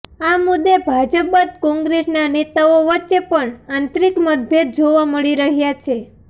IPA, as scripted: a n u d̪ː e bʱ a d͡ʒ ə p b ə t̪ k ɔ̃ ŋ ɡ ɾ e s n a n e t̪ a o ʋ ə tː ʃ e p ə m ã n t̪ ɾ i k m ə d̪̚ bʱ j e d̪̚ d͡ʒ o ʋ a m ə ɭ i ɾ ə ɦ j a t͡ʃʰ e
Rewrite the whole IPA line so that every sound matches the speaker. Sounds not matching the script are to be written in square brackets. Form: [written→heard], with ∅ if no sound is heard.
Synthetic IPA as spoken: a [n→m] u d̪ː e bʱ a d͡ʒ ə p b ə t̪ k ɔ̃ ŋ ɡ ɾ e s n a n e t̪ a o ʋ ə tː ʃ e p ə [m→ɳ] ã n t̪ ɾ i k m ə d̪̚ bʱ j e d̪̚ d͡ʒ o ʋ a m ə ɭ i ɾ ə ɦ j a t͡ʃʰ e